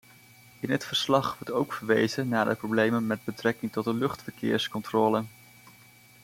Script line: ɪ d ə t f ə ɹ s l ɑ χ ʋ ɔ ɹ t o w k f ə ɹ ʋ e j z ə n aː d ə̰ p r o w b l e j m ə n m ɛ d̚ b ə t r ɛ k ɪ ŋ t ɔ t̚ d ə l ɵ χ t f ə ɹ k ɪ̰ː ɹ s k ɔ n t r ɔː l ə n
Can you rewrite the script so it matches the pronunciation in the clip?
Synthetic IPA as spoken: ɪ n ə t f ə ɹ s l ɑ χ ʋ ɔ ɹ t o w k f ə ɹ ʋ e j z ə n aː d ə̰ p r o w b l e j m ə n m ɛ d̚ b ə t r ɛ k ɪ ŋ t ɔ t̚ d ə l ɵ χ t f ə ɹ k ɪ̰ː ɹ s k ɔ n t r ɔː l ə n